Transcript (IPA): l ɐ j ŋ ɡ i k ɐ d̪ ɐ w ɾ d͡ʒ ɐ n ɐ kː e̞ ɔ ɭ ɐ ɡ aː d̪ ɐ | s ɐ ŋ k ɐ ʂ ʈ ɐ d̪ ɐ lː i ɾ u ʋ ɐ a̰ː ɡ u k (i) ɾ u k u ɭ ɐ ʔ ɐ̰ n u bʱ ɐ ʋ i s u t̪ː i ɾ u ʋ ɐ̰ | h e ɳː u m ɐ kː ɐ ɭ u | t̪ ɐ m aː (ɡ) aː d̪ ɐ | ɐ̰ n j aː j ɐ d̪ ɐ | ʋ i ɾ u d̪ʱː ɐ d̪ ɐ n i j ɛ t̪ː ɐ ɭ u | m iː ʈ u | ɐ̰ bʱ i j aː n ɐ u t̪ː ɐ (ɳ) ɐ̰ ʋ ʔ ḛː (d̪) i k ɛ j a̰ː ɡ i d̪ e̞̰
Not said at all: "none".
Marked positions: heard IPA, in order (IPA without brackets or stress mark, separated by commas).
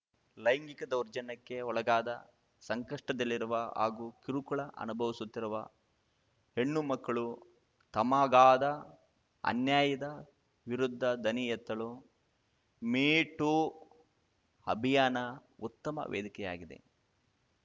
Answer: i, ɡ, m, d̪